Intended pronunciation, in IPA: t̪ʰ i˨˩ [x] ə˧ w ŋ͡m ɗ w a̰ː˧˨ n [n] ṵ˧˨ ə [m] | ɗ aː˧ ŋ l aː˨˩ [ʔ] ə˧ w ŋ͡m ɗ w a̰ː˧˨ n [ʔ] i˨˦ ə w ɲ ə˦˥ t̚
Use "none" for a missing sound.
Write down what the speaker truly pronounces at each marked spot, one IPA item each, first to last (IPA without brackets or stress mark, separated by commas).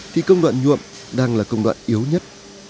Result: k, ɲ, m, k, ʔ